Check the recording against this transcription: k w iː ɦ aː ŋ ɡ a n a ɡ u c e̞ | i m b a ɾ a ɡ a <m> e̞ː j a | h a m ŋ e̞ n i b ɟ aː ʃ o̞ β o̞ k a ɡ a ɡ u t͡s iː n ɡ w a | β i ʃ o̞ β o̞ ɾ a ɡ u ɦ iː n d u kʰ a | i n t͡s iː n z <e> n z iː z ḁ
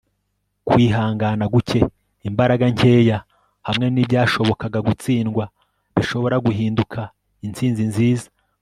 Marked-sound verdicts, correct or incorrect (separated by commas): incorrect, incorrect